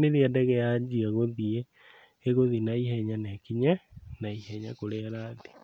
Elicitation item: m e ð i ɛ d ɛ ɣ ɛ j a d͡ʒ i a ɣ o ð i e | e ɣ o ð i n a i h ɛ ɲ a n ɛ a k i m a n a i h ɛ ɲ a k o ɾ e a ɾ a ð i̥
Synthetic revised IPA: n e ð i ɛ d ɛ ɣ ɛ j a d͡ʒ i a ɣ o ð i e | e ɣ o ð i n a i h ɛ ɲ a n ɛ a k i ɲ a n a i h ɛ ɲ a k o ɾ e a ɾ a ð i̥